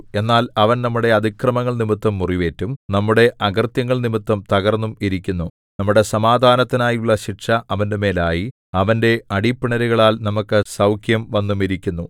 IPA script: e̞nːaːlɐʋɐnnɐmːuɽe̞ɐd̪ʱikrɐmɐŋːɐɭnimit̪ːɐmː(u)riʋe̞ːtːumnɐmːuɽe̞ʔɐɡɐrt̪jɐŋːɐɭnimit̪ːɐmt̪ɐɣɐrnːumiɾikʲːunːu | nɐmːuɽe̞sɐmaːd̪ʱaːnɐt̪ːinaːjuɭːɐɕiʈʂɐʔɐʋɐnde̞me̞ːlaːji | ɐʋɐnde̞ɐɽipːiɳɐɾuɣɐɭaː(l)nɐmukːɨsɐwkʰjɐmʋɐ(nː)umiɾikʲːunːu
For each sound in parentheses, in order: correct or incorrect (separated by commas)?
correct, correct, correct